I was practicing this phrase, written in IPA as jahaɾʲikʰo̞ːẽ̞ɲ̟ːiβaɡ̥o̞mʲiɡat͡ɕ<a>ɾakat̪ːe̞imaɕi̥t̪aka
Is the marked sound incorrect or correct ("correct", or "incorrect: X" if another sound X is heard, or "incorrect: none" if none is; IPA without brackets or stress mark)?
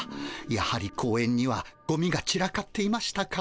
incorrect: i